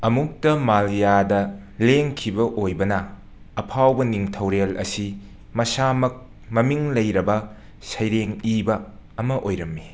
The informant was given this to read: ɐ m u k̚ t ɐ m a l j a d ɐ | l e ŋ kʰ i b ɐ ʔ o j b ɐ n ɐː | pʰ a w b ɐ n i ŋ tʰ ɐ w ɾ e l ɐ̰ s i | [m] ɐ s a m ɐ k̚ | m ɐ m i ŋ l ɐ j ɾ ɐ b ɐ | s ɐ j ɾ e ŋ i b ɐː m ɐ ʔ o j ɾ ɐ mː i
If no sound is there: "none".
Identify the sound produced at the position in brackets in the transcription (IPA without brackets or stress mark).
m